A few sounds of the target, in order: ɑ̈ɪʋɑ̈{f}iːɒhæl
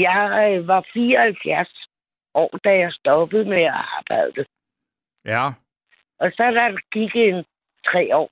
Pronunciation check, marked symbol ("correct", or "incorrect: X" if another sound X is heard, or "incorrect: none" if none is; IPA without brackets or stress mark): correct